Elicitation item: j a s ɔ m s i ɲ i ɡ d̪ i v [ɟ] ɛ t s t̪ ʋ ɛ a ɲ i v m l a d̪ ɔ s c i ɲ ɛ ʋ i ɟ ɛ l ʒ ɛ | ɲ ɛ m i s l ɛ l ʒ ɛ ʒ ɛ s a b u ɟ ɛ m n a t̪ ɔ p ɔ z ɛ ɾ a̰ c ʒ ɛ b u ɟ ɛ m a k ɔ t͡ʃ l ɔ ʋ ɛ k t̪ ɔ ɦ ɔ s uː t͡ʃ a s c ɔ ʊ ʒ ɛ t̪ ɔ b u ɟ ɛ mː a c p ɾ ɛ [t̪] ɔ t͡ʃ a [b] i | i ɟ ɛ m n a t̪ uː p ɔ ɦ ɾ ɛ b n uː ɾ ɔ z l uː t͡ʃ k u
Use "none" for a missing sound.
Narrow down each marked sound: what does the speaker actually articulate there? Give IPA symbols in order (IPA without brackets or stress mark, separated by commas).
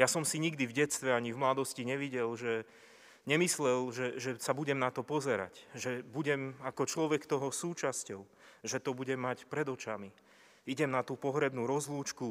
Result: ɟ, d̪, m